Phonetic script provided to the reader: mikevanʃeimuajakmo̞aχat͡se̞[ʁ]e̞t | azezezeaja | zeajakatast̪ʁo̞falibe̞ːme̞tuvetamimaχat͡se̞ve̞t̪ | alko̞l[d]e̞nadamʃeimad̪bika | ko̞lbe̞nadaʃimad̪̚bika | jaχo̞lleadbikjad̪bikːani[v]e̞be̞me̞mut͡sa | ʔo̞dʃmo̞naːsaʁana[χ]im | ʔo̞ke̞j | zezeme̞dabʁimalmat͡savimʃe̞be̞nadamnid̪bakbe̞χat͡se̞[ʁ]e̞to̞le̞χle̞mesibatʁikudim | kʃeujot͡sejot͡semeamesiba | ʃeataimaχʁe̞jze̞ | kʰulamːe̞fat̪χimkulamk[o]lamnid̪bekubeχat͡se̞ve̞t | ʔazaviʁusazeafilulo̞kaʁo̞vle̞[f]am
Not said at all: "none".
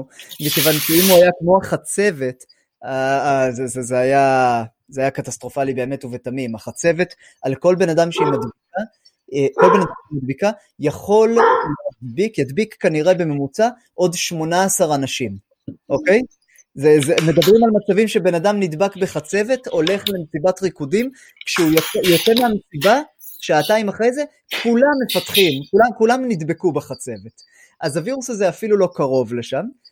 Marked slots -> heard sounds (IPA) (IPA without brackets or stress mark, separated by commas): v, b, ʁ, ʃ, v, u, ʃ